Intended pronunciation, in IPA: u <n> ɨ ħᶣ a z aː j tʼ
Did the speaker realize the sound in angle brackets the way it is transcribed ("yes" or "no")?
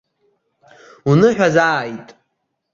yes